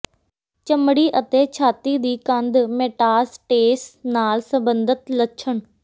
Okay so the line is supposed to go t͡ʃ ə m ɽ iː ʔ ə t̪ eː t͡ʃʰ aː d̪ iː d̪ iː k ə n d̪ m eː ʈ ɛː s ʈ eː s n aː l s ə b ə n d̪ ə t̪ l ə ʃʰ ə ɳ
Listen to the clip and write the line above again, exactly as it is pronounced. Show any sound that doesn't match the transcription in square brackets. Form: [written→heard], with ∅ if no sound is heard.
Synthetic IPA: t͡ʃ ə m ɽ iː ʔ ə t̪ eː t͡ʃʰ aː [d̪→t̪] iː d̪ iː k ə n d̪ m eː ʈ [ɛː→aː] s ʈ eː s n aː l s ə b ə n d̪ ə t̪ l ə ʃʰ ə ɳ